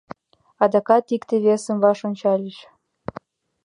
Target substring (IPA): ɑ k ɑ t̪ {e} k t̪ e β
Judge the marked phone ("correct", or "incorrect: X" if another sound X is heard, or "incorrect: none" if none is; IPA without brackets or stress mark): incorrect: i